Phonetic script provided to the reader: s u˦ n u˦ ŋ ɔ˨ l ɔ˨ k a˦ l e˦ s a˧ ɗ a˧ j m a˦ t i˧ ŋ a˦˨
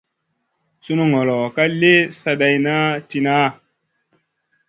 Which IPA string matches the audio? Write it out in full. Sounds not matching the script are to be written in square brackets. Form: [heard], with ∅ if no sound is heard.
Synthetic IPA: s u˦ n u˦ ŋ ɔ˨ l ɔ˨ k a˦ l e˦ s a˧ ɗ a˧ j [n] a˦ t i˧ [n] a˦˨